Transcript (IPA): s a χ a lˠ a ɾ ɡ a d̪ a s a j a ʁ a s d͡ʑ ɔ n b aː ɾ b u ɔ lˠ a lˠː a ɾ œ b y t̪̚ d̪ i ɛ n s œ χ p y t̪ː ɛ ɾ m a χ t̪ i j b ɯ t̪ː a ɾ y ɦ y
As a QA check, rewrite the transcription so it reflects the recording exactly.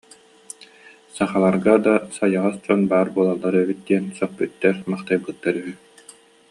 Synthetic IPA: s a χ a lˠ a ɾ ɡ a d̪ a s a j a ʁ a s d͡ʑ ɔ n b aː ɾ b u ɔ lˠ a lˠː a ɾ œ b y t̪̚ d̪ i ɛ n s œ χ p y t̪ː ɛ ɾ m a χ t̪ a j b ɯ t̪ː a ɾ y ɦ y